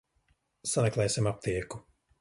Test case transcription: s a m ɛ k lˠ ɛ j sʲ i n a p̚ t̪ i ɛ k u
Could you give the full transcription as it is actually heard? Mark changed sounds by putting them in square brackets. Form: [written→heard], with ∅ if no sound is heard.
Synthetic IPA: s a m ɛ k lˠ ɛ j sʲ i [n→m] a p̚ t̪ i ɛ k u

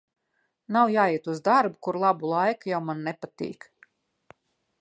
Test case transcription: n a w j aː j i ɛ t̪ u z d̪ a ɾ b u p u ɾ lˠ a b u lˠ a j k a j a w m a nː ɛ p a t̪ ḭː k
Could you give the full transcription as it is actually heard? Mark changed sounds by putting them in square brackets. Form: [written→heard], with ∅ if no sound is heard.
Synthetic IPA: n a w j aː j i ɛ t̪ u z d̪ a ɾ b u [p→k] u ɾ lˠ a b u lˠ a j k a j a w m a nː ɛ p a t̪ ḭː k

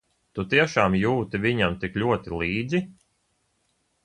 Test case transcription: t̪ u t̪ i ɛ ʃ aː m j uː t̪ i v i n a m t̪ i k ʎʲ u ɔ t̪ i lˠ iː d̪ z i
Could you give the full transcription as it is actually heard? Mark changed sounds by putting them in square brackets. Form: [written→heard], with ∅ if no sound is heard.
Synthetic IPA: t̪ u t̪ i ɛ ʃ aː m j uː t̪ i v i [n→ɲ] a m t̪ i k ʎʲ u ɔ t̪ i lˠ iː d̪ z i

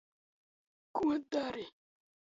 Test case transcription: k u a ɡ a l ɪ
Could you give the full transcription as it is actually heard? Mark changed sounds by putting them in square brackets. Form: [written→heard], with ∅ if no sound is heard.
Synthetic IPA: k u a [ɡ→d] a [l→ɾ] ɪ

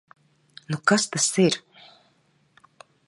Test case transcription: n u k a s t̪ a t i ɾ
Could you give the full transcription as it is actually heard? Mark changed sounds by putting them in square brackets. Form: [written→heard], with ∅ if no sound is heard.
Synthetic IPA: n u k a s t̪ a [t→s] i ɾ

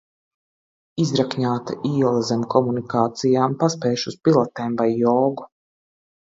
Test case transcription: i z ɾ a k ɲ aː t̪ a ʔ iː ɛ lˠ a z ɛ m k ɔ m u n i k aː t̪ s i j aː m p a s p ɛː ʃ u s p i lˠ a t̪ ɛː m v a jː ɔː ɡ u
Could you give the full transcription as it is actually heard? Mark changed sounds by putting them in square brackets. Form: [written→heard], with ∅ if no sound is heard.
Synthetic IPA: i z ɾ a k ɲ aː t̪ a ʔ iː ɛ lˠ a z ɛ m k ɔ m u n i k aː t̪ s i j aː m p a s p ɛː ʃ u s p i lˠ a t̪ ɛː m v a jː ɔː ɡ u

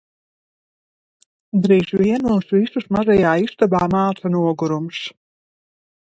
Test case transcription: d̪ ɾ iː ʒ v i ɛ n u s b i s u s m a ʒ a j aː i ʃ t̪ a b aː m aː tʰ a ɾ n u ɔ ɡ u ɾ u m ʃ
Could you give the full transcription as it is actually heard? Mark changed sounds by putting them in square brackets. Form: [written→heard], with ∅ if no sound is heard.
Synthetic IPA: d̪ ɾ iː ʒ v i ɛ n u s [b→v] i s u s m a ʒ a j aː i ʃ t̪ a b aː m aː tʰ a [ɾ→∅] n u ɔ ɡ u ɾ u m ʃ

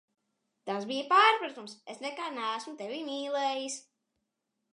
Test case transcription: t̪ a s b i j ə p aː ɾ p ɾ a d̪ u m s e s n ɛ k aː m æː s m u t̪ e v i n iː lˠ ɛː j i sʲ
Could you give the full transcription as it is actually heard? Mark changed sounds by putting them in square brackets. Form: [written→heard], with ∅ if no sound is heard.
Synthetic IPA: t̪ a s b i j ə p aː ɾ p ɾ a [d̪→t̪] u m s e s n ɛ k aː [m→n] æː s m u t̪ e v i [n→m] iː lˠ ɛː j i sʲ

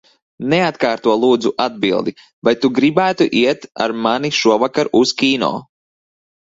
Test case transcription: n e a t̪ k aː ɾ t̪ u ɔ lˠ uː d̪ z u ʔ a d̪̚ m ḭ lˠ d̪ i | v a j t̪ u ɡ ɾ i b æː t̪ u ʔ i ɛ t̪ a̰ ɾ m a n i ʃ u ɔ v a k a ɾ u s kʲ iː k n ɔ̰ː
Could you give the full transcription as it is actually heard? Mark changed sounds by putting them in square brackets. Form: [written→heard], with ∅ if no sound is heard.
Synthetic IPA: n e a t̪ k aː ɾ t̪ u ɔ lˠ uː d̪ z u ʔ a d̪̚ [m→b] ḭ lˠ d̪ i | v a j t̪ u ɡ ɾ i b æː t̪ u ʔ i ɛ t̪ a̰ ɾ m a n i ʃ u ɔ v a k a ɾ u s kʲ iː [k→∅] n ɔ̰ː

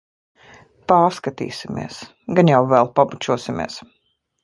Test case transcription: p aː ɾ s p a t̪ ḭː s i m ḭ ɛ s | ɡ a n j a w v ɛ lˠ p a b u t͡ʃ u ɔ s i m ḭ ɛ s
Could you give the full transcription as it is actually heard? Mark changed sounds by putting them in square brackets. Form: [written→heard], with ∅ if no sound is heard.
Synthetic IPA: p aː ɾ s [p→k] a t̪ ḭː s i m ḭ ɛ s | ɡ a n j a w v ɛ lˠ p a b u t͡ʃ u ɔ s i m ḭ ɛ s

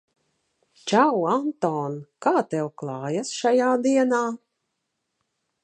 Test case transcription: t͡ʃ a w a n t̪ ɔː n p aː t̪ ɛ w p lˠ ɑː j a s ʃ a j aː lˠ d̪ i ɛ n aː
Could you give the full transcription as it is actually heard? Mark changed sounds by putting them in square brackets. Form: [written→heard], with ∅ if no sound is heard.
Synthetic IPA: t͡ʃ a w a n t̪ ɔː n [p→k] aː t̪ ɛ w [p→k] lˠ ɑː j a s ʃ a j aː [lˠ→∅] d̪ i ɛ n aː

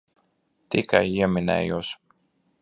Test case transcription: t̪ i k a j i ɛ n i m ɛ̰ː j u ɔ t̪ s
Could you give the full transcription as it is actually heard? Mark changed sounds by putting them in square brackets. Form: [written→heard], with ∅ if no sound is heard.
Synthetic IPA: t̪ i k a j i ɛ [n→m] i [m→n] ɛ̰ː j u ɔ [t̪→∅] s

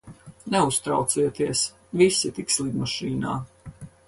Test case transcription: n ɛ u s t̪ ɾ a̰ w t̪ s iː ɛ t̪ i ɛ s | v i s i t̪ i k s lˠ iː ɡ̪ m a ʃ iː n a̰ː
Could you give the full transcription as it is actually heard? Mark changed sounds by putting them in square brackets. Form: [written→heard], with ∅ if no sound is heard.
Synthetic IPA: n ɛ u s t̪ ɾ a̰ w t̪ s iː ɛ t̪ i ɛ s | v i s i t̪ i k s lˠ [iː→i] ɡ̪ m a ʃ iː n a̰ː

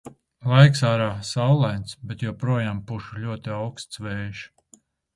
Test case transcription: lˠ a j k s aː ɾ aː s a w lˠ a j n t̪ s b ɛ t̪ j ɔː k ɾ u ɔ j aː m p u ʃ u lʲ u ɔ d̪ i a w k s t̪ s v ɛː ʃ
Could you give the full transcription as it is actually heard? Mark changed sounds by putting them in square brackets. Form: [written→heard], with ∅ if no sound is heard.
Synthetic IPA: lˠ a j k s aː ɾ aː s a w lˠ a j n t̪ s b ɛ t̪ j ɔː [k→p] ɾ u ɔ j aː m p u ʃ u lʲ u ɔ [d̪→t̪] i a w k s t̪ s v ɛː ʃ

